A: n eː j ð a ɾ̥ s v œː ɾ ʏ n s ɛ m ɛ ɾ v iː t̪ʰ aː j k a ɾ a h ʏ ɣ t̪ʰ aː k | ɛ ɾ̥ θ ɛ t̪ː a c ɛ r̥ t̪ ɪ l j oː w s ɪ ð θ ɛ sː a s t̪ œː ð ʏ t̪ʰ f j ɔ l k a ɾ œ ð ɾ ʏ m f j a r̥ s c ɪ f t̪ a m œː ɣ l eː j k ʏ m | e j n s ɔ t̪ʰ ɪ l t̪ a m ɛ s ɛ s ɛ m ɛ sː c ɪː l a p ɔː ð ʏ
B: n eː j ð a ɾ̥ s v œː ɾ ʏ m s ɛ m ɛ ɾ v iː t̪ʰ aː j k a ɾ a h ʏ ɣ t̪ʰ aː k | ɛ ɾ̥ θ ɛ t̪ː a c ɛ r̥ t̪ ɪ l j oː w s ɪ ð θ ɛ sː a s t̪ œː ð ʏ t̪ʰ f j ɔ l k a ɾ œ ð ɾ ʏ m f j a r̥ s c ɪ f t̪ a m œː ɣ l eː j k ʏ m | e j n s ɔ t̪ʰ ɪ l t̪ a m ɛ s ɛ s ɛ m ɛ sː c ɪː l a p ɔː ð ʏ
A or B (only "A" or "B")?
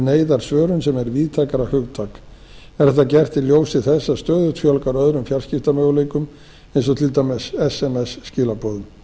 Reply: A